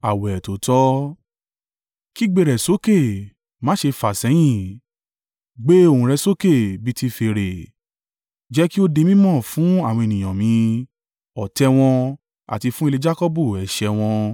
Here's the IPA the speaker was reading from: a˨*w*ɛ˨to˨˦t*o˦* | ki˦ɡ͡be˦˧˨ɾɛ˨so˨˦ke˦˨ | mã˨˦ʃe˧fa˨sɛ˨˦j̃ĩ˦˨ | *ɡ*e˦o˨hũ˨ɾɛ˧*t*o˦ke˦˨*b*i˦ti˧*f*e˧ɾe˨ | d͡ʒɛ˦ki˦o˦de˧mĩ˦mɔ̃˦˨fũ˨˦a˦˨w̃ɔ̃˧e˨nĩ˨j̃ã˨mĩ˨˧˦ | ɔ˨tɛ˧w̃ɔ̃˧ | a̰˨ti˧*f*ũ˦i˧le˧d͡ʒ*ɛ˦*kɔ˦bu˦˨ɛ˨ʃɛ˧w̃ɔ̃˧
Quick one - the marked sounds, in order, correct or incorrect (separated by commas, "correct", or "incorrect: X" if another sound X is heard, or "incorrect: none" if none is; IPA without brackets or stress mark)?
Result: correct, incorrect: ɔ˦, incorrect: ɡ͡b, incorrect: s, correct, correct, correct, incorrect: a˦